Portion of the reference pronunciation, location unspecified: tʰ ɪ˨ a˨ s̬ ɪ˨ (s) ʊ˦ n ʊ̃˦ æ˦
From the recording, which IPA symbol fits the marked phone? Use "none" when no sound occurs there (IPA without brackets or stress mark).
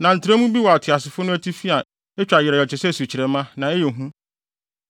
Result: f